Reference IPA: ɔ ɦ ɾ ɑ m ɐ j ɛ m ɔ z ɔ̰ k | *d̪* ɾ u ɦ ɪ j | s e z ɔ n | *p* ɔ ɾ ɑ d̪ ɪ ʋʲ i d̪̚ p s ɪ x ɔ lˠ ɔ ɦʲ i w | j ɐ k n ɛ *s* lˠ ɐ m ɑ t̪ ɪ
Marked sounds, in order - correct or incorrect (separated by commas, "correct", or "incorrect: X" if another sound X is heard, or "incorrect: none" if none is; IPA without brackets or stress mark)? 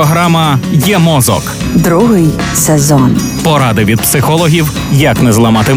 correct, correct, incorrect: z